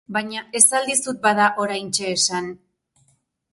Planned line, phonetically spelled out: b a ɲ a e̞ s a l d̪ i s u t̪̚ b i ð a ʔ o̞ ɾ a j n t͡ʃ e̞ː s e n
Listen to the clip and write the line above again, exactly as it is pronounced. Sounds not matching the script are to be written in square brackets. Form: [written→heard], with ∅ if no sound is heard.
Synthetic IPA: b a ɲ a e̞ s a l d̪ i s u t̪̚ b [i→a] ð a ʔ o̞ ɾ a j n t͡ʃ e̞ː s [e→a] n